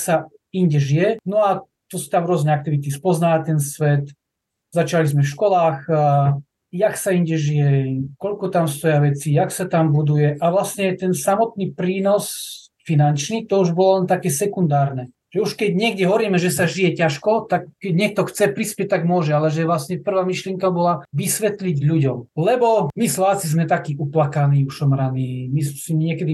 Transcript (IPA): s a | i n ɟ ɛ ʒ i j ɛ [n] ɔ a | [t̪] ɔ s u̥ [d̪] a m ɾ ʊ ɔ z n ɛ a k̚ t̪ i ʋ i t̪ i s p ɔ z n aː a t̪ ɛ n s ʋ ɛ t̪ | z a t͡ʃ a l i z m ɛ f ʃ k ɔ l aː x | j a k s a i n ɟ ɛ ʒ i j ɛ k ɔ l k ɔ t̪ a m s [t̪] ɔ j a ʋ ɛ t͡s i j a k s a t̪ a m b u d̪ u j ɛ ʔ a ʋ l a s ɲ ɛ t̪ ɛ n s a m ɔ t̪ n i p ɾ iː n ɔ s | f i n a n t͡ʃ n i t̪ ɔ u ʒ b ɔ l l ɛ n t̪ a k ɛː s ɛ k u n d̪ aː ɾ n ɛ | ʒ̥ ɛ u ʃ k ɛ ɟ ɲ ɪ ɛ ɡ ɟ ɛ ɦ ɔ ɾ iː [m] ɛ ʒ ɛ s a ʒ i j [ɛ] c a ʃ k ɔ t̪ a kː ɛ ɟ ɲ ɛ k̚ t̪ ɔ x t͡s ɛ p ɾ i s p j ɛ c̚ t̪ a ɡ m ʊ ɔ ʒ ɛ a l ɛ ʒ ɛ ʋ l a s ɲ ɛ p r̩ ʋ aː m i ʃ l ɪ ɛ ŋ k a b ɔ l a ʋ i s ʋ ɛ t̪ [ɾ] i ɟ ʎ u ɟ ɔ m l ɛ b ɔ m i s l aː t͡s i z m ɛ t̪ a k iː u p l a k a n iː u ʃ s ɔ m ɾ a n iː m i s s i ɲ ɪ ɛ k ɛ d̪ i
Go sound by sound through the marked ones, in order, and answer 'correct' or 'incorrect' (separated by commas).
correct, correct, incorrect, correct, correct, correct, incorrect